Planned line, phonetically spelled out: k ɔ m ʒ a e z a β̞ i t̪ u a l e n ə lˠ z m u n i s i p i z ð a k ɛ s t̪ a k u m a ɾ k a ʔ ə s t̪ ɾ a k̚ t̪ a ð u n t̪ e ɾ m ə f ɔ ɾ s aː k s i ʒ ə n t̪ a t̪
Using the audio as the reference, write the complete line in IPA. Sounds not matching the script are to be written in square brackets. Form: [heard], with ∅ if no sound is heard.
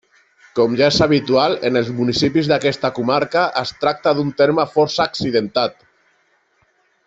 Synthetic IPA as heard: k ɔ m ʒ a e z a β̞ i t̪ u a l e n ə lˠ z m u n i s i p i z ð a k ɛ s t̪ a k u m a ɾ k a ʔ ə s t̪ ɾ a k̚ t̪ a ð u n t̪ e ɾ m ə f ɔ ɾ s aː k s i [ð] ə n t̪ a t̪